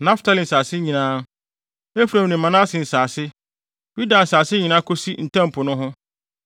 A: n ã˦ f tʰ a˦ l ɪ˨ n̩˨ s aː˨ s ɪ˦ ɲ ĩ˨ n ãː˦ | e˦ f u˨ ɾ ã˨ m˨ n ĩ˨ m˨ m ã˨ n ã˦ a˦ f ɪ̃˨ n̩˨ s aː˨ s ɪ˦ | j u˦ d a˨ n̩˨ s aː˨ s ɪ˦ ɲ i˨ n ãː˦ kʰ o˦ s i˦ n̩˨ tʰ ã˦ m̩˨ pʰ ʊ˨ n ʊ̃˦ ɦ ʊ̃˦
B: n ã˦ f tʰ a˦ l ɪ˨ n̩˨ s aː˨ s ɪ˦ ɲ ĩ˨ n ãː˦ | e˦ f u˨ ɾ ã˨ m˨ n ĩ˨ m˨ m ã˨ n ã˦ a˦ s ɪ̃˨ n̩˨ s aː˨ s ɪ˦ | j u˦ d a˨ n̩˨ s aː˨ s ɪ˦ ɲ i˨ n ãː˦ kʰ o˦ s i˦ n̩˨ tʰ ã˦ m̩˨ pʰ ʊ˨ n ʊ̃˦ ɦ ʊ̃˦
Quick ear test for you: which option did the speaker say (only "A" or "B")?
B